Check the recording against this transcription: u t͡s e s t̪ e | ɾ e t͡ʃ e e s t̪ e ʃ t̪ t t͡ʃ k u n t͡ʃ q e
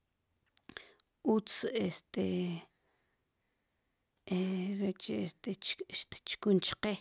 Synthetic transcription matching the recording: u t͡s e s t̪ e | ɾ e t͡ʃ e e s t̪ e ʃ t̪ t t͡ʃ k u n t͡ʃ q e